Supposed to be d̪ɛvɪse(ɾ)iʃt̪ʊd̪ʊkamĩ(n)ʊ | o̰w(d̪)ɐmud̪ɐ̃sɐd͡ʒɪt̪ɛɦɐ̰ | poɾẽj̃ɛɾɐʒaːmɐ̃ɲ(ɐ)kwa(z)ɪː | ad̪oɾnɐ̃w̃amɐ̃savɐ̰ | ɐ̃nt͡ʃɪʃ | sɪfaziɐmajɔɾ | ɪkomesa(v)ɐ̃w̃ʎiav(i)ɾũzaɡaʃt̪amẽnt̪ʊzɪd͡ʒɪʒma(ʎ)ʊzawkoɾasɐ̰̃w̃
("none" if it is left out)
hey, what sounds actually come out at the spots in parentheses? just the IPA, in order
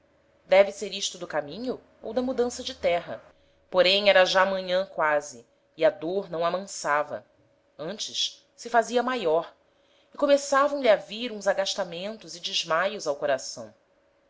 ɾ, ɲ, d̪, ɐ̃, z, v, i, j

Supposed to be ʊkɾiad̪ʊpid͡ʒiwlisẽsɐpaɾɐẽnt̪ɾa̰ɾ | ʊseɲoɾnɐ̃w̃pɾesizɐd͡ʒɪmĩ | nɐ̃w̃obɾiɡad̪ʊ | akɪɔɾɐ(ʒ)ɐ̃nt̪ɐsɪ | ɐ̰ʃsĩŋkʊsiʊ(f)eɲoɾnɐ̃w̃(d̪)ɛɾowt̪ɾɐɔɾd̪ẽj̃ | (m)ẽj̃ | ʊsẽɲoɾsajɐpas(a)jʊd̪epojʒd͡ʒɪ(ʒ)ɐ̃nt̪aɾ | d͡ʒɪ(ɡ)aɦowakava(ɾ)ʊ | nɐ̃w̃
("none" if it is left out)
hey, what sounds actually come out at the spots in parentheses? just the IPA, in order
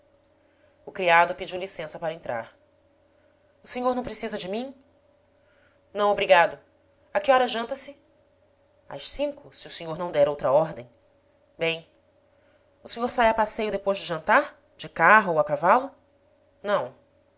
ʒ, s, d̪, b, e, ʒ, k, l

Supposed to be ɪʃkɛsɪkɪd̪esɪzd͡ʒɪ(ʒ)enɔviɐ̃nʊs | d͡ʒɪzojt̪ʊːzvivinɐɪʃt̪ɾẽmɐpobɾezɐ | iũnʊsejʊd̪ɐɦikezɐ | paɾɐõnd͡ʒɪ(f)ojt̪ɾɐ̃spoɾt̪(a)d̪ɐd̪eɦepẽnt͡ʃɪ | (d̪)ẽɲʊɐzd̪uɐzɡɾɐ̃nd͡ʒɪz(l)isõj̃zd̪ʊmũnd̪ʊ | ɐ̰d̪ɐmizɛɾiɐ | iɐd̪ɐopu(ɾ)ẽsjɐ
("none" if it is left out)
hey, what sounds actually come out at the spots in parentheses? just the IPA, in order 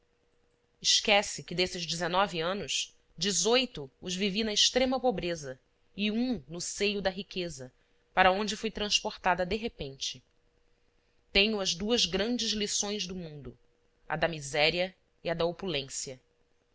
z, f, a, t̪, l, l

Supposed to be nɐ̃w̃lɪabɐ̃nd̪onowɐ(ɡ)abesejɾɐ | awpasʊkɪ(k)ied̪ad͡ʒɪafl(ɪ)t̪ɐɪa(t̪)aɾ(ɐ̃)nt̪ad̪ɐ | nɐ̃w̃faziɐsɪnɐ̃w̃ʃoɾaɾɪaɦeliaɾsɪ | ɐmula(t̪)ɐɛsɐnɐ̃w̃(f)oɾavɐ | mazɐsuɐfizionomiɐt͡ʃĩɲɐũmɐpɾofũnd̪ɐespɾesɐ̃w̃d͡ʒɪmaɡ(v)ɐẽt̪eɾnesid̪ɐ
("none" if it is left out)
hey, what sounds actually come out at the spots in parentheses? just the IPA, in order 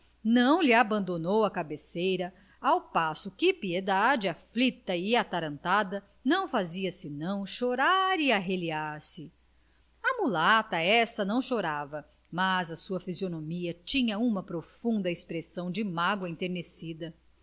k, p, i, t̪, ɐ̃, t̪, ʃ, w

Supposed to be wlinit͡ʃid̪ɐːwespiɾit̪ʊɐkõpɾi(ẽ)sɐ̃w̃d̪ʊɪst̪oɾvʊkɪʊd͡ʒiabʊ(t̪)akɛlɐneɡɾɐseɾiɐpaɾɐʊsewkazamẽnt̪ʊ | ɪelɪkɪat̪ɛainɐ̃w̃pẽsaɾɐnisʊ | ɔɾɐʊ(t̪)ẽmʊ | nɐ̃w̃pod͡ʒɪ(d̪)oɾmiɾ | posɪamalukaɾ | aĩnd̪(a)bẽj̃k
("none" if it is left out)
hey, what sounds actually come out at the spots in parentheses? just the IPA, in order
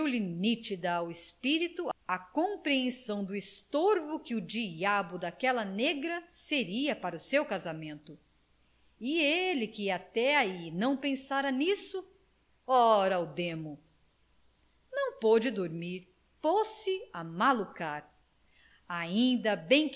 ẽ, d̪, d̪, d̪, ɐ

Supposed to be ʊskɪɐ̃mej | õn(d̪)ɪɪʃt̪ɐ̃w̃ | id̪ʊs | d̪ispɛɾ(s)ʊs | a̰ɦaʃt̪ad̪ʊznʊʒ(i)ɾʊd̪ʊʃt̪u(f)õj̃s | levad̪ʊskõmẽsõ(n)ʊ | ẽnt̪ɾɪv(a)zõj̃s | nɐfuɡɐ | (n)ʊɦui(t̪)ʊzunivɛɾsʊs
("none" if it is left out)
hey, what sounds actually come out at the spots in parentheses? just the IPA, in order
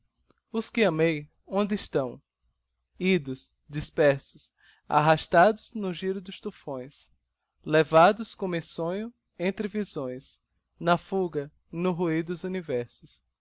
d̪, s, i, f, ɲ, i, n, d̪

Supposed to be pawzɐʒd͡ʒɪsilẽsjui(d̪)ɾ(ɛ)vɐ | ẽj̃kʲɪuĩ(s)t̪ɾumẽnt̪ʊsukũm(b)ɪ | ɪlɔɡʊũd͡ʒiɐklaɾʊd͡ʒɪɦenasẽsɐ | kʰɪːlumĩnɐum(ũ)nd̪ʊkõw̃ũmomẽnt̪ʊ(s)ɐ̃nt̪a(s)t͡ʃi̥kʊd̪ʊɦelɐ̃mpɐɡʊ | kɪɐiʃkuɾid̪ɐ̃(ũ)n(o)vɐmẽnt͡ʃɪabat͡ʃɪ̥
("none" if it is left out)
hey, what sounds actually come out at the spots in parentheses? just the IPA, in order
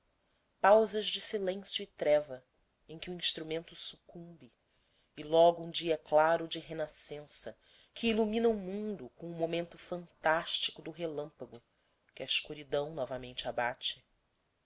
t̪, ɛ, ʃ, b, ũ, f, ʃ, w̃, ɔ

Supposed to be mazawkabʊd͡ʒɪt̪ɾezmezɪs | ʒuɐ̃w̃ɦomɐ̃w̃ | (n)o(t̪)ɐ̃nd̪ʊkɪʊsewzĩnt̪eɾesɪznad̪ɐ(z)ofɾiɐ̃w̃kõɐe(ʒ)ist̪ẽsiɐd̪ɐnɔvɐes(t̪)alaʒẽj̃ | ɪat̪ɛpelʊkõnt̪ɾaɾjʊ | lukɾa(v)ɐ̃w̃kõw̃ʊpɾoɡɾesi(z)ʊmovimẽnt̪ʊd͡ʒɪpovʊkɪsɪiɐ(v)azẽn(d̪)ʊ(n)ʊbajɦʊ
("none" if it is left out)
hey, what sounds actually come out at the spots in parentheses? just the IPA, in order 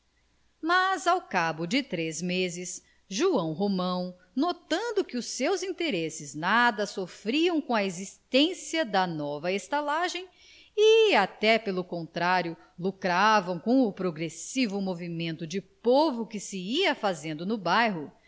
n, t̪, s, z, t̪, v, v, f, d̪, n

